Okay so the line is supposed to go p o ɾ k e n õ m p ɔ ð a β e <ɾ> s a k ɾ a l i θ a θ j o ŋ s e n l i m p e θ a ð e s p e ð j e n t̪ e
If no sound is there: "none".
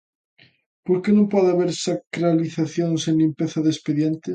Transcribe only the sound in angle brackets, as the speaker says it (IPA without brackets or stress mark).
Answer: ɾ